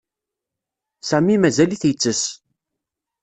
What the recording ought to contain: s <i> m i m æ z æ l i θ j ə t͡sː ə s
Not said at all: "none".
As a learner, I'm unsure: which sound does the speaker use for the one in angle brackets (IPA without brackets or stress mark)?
æ